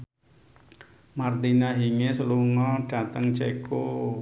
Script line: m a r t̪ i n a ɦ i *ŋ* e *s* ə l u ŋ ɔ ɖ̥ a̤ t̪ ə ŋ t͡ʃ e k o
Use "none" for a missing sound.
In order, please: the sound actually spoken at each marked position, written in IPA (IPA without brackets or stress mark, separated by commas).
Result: ŋ, s